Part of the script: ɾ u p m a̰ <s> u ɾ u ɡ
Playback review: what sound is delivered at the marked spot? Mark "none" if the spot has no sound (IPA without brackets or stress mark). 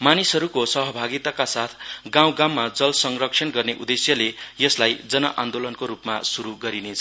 s